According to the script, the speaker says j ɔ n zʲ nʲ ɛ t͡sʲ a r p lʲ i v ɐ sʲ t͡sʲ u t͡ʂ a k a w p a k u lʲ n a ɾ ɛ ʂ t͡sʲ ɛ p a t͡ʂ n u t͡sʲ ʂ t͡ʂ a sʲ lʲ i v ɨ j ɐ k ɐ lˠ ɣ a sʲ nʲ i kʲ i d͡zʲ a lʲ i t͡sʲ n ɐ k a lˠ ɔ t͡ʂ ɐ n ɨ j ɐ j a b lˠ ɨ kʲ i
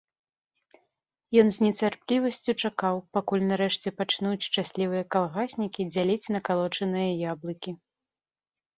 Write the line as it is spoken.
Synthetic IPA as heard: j ɔ n zʲ nʲ ɛ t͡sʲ a r p lʲ i v ɐ sʲ t͡sʲ u t͡ʂ a k a w p a k u lʲ n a ɾ ɛ ʂ t͡sʲ ɛ p a t͡ʂ n u t͡sʲ ʂ t͡ʂ a sʲ lʲ i v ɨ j ɐ k a lˠ ɣ a sʲ nʲ i kʲ i d͡zʲ a lʲ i t͡sʲ n ɐ k a lˠ ɔ t͡ʂ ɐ n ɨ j ɐ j a b lˠ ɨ kʲ i